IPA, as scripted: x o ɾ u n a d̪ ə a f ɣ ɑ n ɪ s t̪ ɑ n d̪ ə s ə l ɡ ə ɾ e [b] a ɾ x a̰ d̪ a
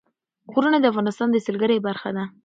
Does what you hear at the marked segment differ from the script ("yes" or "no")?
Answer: no